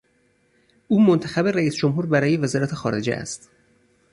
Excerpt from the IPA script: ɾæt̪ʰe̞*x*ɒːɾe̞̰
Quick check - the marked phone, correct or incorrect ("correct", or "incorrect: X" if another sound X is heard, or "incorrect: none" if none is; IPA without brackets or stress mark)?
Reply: correct